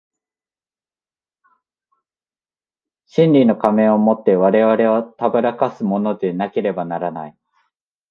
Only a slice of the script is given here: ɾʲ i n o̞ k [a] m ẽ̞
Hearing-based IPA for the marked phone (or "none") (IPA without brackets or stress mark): a